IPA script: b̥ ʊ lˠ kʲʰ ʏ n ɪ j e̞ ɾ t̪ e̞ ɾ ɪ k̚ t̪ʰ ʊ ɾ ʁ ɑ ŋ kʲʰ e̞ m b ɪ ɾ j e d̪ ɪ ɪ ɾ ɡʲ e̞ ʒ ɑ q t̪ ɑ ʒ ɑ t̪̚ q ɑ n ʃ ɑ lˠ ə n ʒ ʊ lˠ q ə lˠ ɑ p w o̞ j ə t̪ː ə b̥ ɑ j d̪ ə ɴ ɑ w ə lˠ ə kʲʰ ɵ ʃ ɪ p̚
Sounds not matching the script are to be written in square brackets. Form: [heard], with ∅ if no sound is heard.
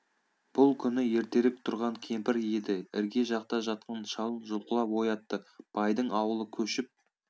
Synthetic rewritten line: b̥ ʊ lˠ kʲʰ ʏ n ɪ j e̞ ɾ t̪ e̞ ɾ ɪ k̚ t̪ʰ ʊ ɾ ʁ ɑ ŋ kʲʰ e̞ m [p] ɪ ɾ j e d̪ ɪ ɪ ɾ ɡʲ e̞ ʒ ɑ q t̪ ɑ ʒ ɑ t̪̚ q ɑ n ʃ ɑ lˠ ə n ʒ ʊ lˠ q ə lˠ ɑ p w o̞ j [ɑ] t̪ː ə b̥ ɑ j d̪ ə ɴ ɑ w ə lˠ ə kʲʰ ɵ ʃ ɪ p̚